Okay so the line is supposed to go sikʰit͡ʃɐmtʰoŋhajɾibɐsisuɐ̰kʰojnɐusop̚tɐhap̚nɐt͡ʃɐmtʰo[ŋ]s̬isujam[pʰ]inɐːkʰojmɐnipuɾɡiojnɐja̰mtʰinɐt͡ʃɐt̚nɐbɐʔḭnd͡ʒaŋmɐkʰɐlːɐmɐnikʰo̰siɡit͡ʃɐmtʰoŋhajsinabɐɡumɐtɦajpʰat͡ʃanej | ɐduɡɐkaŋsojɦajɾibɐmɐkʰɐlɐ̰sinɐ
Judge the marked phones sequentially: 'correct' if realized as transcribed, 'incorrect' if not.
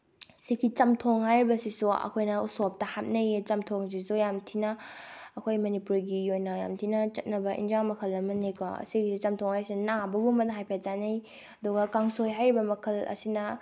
correct, incorrect: tʰ

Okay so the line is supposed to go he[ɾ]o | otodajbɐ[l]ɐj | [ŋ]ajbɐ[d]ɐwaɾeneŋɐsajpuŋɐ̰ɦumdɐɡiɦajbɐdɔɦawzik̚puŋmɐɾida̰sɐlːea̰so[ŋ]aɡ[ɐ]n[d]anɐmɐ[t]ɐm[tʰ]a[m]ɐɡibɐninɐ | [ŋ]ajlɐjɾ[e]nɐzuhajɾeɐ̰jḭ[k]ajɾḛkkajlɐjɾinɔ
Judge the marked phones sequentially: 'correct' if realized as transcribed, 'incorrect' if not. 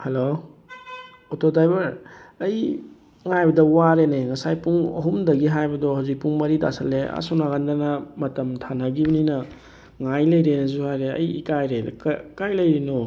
incorrect: l, incorrect: ɾ, correct, correct, incorrect: n, incorrect: a, correct, correct, correct, incorrect: n, correct, correct, correct

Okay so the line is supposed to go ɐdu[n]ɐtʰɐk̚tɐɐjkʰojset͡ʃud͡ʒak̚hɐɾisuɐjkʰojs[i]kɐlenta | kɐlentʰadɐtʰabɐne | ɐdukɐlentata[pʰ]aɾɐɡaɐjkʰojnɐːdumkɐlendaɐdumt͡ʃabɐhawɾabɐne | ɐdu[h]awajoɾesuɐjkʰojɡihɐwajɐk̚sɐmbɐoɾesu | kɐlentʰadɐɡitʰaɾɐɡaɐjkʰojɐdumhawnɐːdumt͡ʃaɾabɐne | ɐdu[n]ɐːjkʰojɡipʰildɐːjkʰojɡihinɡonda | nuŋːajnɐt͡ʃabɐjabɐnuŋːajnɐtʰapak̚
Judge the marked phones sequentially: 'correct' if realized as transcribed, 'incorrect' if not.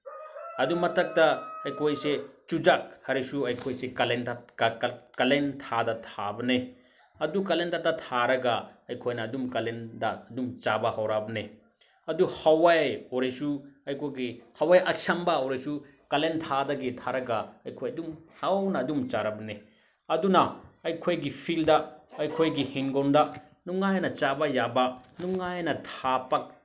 incorrect: m, incorrect: e, incorrect: tʰ, correct, correct

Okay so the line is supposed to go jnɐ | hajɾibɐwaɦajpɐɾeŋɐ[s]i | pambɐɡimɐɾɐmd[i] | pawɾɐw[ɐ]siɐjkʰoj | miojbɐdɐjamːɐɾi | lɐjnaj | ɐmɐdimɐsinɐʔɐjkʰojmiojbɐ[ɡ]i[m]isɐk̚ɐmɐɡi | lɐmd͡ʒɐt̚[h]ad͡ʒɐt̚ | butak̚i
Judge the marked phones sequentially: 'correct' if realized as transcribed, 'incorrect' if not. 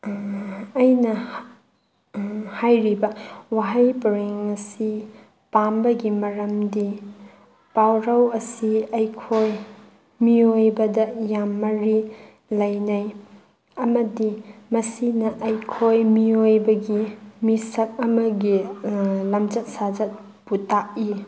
correct, correct, correct, correct, correct, incorrect: s

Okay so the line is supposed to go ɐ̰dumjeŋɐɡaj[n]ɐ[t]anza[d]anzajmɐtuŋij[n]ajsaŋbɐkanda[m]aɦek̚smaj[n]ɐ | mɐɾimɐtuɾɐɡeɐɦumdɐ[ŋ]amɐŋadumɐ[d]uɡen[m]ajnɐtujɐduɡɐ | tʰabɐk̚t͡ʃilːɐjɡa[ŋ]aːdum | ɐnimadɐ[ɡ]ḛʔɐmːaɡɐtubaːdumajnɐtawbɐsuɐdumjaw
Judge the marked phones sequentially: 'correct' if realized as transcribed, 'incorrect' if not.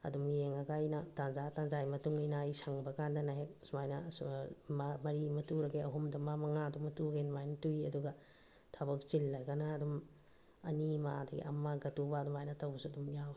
correct, correct, incorrect: t, correct, incorrect: n, correct, incorrect: m, incorrect: t, correct, incorrect: n, correct

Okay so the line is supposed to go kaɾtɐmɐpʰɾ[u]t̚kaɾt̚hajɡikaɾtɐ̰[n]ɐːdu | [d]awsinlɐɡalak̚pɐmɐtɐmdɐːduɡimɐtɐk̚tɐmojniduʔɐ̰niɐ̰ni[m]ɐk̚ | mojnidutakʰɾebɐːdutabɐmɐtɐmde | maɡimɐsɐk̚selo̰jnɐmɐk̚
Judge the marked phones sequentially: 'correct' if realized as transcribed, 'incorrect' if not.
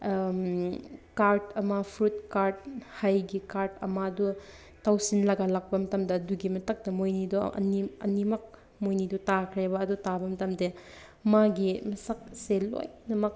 correct, incorrect: m, incorrect: t, correct

